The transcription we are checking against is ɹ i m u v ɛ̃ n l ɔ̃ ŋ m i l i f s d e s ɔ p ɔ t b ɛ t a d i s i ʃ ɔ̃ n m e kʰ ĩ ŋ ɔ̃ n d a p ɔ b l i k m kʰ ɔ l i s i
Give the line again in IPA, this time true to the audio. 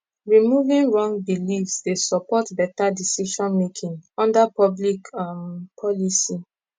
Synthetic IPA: ɹ i m u v ĩ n ɹ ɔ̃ ŋ b i l i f s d e s ɔ p ɔ t b ɛ t a d i s i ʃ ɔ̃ n m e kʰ ĩ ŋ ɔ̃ n d a p ɔ b l i k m pʰ ɔ l i s i